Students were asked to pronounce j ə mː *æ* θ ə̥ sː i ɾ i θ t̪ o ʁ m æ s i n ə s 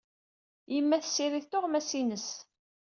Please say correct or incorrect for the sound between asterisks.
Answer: correct